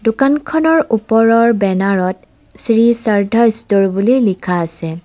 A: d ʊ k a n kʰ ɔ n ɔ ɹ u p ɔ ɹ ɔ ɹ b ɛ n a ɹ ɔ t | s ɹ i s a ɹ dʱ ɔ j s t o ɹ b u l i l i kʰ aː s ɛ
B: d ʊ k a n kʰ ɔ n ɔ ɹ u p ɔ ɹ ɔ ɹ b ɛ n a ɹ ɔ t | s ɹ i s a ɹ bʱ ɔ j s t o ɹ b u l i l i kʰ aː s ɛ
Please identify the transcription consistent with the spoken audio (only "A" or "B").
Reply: A